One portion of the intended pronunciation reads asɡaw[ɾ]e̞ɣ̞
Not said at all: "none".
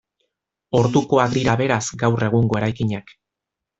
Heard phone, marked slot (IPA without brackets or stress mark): r